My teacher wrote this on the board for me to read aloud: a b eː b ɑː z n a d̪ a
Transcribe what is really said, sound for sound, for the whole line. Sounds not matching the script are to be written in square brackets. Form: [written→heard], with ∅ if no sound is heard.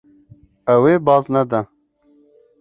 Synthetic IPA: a [b→w] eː b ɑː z n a d̪ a